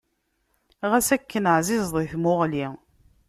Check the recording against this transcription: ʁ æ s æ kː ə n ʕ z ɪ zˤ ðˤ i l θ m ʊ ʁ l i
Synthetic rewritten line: ʁ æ s æ kː ə n ʕ z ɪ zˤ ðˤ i θ m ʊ ʁ l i